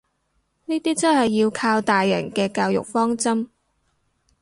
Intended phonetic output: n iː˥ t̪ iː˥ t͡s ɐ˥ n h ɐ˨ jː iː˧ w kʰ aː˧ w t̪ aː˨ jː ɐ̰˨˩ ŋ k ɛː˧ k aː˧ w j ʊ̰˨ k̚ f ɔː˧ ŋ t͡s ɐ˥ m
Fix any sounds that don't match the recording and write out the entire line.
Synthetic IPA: n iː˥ t̪ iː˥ t͡s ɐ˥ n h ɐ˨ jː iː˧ w kʰ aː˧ w t̪ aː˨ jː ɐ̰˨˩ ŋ k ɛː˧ k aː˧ w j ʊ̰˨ k̚ f ɔː˥ ŋ t͡s ɐ˥ m